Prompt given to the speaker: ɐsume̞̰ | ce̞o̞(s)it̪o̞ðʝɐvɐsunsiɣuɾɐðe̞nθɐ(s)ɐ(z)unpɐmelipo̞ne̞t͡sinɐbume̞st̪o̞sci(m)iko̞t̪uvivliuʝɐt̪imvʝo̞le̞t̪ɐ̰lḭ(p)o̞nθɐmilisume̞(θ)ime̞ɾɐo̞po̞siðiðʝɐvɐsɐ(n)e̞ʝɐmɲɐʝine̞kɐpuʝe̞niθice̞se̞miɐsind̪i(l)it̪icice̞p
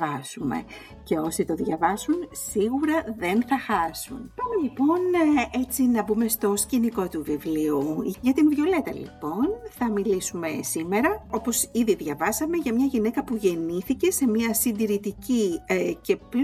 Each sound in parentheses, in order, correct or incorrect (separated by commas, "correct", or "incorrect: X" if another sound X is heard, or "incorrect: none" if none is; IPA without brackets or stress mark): correct, incorrect: x, incorrect: s, incorrect: n, correct, incorrect: s, incorrect: m, incorrect: ɾ